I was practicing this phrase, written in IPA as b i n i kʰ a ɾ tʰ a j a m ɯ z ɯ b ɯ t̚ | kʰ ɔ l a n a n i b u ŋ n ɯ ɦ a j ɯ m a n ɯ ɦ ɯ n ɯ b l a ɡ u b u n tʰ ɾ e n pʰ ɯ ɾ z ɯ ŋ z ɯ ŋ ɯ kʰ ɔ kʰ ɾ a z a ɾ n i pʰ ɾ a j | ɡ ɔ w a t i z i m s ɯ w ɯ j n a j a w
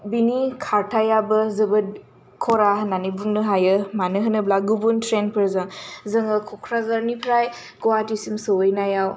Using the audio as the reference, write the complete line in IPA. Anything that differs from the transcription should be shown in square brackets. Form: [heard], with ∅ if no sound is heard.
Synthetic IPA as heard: b i n i kʰ a ɾ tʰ a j a [b] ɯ z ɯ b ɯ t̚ | kʰ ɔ [ɾ] a n a n i b u ŋ n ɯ ɦ a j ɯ m a n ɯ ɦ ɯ n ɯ b l a ɡ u b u n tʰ ɾ e n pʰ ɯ ɾ z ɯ ŋ z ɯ ŋ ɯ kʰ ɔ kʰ ɾ a z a ɾ n i pʰ ɾ a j | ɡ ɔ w a t i [s] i m s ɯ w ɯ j n a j a w

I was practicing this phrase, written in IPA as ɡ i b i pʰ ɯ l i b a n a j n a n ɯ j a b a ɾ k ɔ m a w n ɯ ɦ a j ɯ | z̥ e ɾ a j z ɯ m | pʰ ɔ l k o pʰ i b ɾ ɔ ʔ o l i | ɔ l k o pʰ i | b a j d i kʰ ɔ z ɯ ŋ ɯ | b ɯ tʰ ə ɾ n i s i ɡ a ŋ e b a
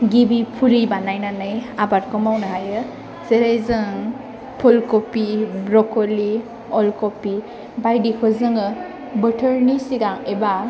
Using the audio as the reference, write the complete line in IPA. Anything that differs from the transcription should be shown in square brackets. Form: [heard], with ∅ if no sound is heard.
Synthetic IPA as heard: ɡ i b i pʰ [u] l i b a n a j n a n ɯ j a b a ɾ k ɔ m a w n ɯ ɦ a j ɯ | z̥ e ɾ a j z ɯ [ŋ] | pʰ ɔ l k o [p] i b ɾ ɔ [k] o l i | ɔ l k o [p] i | b a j d i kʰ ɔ z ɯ ŋ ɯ | b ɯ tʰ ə ɾ n i s i ɡ a ŋ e b a

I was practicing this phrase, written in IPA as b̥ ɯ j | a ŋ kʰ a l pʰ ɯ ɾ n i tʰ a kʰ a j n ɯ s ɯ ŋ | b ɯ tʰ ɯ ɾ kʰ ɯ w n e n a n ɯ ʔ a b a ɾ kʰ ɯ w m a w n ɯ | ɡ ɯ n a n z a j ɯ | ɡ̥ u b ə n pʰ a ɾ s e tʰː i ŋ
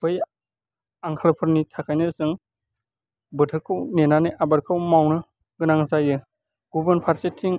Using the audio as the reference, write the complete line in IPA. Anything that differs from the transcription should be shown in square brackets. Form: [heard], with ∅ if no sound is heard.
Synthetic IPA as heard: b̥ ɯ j | a ŋ kʰ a l pʰ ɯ ɾ n i tʰ a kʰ a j n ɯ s ɯ ŋ | b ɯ tʰ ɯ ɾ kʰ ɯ w n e n a n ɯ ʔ a b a ɾ kʰ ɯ w m a w n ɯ | ɡ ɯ n a [ŋ] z a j ɯ | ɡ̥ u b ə n pʰ a ɾ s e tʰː i ŋ

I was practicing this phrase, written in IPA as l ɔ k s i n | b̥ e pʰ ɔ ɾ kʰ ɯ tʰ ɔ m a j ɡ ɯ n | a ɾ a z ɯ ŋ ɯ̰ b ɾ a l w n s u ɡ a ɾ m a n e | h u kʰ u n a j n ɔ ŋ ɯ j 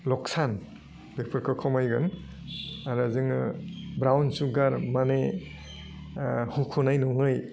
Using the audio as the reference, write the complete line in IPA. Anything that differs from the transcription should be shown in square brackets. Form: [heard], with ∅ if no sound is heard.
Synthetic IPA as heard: l ɔ k s [a] n | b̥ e pʰ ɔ ɾ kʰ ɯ [kʰ] ɔ m a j ɡ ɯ n | a ɾ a z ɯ ŋ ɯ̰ b ɾ a [∅] w n s u ɡ a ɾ m a n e | h u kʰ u n a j n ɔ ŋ ɯ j

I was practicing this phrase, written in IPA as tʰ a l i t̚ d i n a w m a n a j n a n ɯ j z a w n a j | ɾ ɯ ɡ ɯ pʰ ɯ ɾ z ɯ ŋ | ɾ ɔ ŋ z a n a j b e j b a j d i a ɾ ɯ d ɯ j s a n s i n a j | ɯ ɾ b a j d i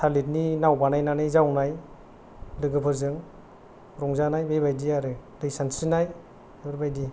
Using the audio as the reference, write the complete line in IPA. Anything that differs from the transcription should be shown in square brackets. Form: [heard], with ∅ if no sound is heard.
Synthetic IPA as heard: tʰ a l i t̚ [n] i n a w [b] a n a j n a n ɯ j z a w n a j | [l] ɯ ɡ ɯ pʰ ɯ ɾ z ɯ ŋ | ɾ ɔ ŋ z a n a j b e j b a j d i a ɾ ɯ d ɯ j s a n s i n a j | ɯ ɾ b a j d i

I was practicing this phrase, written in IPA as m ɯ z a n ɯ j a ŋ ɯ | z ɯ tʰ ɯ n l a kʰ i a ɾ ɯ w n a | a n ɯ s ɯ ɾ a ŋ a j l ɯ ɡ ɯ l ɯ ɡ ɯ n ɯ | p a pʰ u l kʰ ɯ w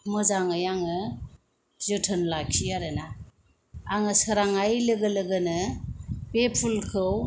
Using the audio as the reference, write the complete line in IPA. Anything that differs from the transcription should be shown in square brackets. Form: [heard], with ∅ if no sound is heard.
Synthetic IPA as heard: m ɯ z a [ŋ] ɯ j a ŋ ɯ | z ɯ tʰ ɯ n l a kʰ i a ɾ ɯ [∅] n a | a [ŋ] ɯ s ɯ ɾ a ŋ a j l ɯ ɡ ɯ l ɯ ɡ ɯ n ɯ | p [e] pʰ u l kʰ ɯ w

